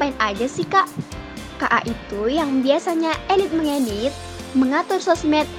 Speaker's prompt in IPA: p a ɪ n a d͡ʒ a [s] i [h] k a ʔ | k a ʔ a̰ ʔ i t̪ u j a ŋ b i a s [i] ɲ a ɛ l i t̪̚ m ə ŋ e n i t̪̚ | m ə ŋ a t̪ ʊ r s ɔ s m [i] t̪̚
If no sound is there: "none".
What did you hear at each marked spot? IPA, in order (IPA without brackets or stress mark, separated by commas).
s, h, a, ɛ